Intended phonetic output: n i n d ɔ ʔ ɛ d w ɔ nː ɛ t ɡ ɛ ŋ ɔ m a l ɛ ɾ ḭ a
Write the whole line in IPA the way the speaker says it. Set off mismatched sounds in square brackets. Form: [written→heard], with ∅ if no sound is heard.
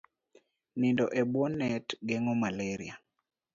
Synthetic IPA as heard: n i n d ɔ ʔ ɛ [d→b] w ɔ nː ɛ t ɡ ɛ ŋ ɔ m a l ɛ ɾ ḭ a